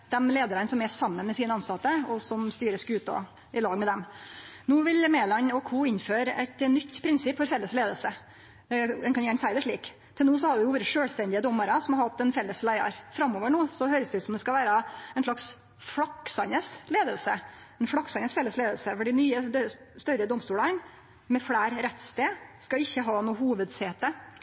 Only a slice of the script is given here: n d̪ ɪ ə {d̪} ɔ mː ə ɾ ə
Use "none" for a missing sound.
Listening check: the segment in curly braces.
d̪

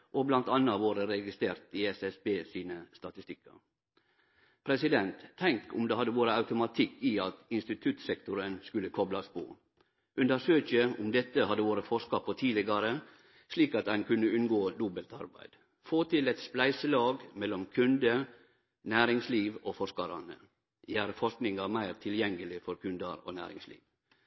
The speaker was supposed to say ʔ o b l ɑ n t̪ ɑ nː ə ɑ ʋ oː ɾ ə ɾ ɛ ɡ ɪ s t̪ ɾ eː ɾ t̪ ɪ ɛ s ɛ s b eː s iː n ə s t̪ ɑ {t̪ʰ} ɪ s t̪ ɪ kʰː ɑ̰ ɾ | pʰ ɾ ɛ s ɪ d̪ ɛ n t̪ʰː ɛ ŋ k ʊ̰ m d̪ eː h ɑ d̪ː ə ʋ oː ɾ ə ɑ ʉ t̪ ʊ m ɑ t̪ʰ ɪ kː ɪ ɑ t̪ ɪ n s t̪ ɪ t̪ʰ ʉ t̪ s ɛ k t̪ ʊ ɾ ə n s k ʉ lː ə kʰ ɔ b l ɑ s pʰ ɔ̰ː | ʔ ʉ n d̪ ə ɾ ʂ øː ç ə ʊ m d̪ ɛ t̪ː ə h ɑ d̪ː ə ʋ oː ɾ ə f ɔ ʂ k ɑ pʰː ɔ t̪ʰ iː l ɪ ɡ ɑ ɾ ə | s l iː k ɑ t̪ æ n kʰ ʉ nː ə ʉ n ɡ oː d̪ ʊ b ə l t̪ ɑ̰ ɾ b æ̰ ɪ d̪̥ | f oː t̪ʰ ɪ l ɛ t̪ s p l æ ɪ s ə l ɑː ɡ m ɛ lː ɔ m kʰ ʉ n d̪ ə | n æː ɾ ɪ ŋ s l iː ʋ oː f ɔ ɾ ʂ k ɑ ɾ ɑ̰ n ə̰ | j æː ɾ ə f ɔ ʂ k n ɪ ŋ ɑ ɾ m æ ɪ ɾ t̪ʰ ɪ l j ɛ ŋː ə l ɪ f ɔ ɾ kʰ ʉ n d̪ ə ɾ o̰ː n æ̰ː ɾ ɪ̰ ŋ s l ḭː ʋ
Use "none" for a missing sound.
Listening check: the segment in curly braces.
t̪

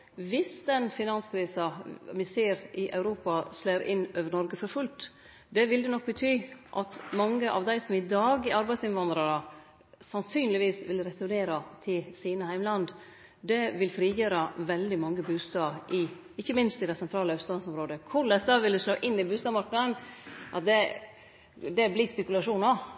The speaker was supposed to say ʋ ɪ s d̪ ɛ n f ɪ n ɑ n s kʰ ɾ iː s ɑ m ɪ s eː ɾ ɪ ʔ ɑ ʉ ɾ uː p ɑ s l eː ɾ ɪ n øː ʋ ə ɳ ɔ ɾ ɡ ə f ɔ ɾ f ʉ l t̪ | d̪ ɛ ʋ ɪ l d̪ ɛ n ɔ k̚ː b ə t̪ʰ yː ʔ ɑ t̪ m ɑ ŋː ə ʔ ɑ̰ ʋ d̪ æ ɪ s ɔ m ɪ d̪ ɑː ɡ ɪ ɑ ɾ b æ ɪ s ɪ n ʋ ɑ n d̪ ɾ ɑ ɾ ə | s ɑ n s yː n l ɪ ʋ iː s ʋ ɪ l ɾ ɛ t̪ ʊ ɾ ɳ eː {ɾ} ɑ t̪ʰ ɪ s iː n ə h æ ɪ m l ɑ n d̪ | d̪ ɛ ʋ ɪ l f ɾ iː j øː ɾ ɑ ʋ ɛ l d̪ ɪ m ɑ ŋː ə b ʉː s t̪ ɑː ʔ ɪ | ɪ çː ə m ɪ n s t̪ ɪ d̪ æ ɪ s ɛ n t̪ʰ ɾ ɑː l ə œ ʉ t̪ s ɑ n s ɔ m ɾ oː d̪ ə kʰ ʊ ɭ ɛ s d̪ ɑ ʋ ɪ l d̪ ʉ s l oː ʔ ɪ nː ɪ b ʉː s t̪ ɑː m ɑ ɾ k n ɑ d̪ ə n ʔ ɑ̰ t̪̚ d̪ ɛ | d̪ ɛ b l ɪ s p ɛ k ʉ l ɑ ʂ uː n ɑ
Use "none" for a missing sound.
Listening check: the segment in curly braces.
ɾ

